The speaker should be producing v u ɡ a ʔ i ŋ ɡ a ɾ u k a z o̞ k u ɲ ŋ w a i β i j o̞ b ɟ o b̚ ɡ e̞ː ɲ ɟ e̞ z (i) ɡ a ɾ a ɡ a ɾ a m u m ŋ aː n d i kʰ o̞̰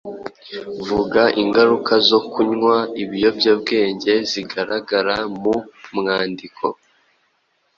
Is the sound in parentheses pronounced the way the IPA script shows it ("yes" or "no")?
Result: yes